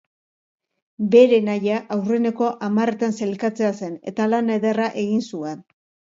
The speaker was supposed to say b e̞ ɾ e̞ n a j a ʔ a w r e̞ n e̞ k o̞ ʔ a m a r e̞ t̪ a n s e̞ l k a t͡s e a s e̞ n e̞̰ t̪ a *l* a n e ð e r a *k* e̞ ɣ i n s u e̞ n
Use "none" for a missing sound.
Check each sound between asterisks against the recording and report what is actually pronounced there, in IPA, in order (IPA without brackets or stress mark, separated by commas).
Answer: l, ʔ